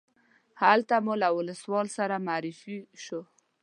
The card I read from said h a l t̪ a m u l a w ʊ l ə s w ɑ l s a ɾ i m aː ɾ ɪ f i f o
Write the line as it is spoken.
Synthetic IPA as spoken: h a l t̪ a m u l a w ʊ l ə s w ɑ l s a ɾ a m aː ɾ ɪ f i ʃ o